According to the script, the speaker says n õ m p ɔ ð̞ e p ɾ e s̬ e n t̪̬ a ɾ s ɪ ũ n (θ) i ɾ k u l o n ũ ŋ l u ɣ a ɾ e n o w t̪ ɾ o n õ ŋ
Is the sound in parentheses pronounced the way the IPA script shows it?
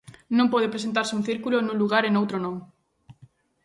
yes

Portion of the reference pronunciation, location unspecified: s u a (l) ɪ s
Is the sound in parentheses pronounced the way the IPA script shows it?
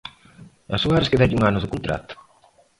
no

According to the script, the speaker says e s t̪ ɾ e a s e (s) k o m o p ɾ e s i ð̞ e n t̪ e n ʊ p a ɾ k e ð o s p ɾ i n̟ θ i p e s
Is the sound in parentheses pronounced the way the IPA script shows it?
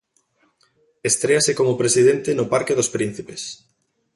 no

